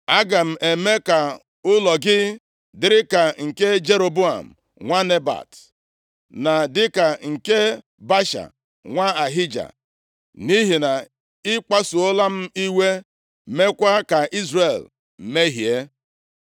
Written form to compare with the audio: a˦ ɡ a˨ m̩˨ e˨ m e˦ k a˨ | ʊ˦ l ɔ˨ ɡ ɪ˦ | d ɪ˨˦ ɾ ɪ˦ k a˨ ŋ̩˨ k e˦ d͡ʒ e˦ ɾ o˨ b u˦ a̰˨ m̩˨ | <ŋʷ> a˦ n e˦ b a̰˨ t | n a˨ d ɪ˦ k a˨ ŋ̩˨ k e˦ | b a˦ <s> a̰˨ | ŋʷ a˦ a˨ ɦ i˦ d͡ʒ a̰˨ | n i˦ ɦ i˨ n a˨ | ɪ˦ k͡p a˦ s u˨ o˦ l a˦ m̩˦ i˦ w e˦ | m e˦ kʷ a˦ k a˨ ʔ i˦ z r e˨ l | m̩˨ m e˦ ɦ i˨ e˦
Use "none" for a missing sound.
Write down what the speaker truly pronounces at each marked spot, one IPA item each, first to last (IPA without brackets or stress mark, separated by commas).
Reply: ŋʷ, ʃ